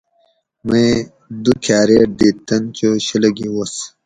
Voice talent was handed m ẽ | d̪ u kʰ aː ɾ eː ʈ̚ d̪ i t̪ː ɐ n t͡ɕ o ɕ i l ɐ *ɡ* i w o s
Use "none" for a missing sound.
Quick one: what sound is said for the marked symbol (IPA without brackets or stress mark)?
ɡ